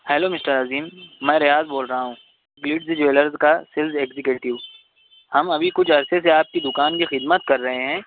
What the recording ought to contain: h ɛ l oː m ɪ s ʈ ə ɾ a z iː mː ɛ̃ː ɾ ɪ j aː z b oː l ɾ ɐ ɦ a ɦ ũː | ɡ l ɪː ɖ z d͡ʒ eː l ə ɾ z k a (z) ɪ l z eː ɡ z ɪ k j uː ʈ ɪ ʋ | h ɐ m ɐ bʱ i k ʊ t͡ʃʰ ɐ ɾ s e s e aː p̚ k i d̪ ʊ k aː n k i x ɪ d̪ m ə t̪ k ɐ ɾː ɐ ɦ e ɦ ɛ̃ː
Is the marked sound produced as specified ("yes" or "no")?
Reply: no